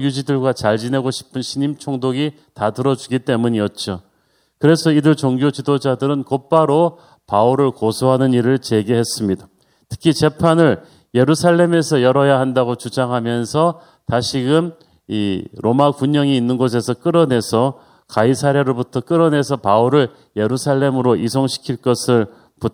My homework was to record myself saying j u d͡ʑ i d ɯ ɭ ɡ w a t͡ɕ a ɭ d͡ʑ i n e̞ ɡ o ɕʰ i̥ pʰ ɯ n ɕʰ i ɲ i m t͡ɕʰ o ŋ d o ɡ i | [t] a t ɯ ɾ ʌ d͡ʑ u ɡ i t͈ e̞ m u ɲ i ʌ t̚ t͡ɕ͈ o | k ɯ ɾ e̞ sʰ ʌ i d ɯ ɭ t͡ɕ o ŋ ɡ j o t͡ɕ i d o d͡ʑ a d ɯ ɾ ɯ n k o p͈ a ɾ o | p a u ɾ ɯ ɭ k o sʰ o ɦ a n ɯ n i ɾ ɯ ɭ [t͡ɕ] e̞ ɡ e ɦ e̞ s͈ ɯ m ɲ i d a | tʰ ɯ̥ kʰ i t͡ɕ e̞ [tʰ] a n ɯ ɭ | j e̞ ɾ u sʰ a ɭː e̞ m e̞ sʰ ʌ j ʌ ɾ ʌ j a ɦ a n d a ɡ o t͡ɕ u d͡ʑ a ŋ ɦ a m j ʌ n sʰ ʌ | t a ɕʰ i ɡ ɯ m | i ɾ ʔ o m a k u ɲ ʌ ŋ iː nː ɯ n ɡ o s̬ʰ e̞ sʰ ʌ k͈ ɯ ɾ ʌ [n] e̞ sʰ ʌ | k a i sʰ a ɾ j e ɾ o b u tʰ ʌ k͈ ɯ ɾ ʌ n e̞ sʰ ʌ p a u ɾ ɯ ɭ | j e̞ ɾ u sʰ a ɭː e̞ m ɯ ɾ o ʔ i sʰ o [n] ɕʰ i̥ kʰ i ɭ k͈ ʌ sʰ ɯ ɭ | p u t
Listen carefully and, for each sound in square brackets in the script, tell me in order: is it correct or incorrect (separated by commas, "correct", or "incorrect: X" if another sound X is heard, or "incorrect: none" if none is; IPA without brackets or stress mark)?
correct, correct, incorrect: pʰ, correct, incorrect: ŋ